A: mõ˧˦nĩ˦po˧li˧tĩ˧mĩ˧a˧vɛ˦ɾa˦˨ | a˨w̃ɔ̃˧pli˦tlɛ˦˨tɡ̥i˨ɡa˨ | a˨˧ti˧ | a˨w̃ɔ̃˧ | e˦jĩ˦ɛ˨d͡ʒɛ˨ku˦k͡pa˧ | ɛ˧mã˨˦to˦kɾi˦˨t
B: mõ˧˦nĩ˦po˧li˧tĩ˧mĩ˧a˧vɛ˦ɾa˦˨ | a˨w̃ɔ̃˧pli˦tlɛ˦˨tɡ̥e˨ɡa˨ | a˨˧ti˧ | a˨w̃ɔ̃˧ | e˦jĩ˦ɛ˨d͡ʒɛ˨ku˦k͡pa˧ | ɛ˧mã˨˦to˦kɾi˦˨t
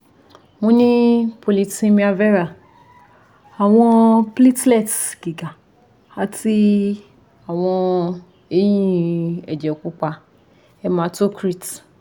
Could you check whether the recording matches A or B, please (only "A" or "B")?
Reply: A